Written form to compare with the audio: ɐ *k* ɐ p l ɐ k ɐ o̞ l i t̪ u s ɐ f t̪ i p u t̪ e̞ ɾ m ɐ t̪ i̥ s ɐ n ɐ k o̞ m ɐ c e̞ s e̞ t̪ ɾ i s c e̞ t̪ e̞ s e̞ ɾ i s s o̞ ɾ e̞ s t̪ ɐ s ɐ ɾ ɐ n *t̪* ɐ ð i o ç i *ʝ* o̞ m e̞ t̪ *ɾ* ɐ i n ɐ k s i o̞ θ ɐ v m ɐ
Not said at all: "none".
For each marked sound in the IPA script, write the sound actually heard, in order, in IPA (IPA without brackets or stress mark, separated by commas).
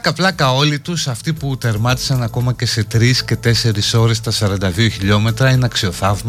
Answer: k, d̪, ʎ, ɾ